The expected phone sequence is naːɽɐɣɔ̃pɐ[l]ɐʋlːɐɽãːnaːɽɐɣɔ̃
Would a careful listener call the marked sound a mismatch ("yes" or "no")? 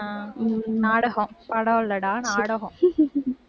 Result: yes